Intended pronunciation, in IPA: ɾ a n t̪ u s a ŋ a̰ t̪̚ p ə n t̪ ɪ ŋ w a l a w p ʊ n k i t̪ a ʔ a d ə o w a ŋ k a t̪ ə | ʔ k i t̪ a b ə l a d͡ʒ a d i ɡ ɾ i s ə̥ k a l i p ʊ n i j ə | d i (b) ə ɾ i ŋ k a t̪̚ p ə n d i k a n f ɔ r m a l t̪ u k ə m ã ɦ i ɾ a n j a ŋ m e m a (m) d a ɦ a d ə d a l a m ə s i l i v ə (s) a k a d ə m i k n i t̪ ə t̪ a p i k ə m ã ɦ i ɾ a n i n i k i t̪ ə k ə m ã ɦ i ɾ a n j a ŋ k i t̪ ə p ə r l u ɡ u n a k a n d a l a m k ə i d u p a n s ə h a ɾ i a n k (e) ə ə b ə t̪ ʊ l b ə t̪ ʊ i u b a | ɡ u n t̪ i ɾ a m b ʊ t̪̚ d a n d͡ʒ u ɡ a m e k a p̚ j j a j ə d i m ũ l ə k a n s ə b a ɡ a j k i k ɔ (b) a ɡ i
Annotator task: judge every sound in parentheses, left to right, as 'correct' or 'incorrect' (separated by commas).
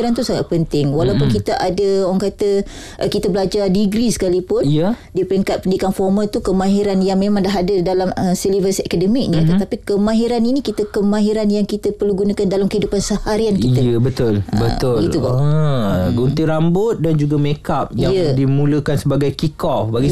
incorrect, incorrect, correct, incorrect, correct